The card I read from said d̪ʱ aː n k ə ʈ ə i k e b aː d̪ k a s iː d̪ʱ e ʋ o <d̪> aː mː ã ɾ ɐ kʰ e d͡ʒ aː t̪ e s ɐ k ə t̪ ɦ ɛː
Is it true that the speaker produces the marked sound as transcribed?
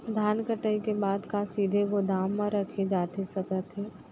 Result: yes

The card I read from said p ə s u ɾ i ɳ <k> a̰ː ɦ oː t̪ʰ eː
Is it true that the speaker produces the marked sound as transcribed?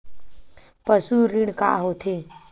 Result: yes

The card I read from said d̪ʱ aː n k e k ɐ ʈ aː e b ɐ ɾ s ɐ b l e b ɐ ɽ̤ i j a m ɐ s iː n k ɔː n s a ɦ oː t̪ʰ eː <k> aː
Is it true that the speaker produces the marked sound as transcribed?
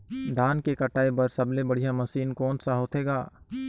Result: no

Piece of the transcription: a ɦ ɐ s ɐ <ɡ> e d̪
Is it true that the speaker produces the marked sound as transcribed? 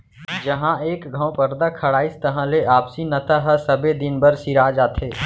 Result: no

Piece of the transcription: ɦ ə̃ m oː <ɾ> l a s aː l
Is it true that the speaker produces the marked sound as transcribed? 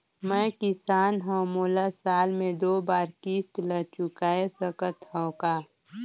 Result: no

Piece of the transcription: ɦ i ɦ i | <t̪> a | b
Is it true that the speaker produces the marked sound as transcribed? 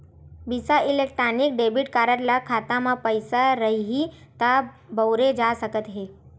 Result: yes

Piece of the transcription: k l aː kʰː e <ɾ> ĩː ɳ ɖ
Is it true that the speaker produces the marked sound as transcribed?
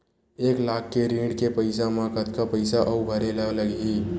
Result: yes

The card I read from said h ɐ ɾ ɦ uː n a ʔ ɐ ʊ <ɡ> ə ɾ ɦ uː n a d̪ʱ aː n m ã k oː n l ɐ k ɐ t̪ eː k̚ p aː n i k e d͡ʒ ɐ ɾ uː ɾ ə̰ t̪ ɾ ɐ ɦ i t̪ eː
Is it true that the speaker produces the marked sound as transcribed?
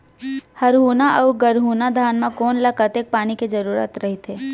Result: yes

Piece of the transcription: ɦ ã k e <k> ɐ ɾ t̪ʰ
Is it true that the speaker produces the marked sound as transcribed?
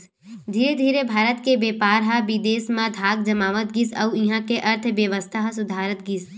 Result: no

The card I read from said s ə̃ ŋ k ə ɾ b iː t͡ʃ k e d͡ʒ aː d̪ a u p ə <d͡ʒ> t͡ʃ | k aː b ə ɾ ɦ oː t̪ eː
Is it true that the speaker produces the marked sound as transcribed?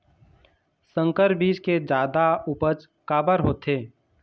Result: no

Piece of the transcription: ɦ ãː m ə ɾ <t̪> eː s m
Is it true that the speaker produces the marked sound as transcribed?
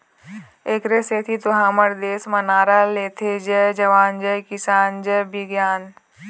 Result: no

